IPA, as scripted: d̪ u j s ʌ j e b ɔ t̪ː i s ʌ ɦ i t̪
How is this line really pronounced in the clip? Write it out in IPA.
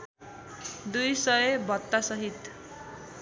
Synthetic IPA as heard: d̪ u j s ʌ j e b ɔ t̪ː a s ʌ ɦ i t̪